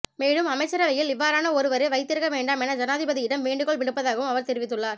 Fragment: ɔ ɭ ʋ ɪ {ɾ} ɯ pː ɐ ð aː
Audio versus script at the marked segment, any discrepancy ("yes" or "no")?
yes